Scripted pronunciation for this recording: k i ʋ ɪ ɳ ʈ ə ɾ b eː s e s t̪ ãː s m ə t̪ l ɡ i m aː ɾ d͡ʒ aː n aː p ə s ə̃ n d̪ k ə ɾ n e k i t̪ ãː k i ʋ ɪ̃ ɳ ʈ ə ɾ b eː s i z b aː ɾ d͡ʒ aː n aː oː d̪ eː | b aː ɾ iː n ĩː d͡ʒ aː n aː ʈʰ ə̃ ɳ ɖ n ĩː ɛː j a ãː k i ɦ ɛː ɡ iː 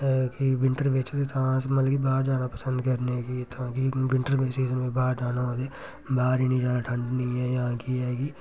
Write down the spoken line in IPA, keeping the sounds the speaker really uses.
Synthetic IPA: k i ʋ ɪ ɳ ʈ ə ɾ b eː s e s t̪ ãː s m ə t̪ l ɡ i b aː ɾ d͡ʒ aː n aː p ə s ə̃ n d̪ k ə ɾ n e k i t̪ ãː k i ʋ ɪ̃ ɳ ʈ ə ɾ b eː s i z b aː ɾ d͡ʒ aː n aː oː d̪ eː | b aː ɾ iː n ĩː d͡ʒ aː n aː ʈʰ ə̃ ɳ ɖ n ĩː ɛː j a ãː k i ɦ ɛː ɡ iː